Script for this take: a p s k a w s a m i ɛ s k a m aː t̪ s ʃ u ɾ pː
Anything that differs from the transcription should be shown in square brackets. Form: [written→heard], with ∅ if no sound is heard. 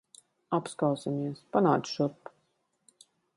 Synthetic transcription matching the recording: a p s k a w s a m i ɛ s [k→p] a [m→n] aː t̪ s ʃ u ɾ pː